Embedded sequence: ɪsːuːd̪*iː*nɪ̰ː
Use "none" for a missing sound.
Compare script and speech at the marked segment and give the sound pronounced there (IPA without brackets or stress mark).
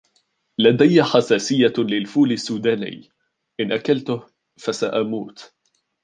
aː